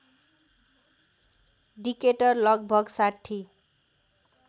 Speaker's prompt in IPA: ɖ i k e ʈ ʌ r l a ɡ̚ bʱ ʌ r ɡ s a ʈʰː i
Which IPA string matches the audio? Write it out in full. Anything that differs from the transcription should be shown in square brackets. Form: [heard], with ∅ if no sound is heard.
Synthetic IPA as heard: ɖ i k e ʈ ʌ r l [ʌ] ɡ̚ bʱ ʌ [∅] ɡ s a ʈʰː i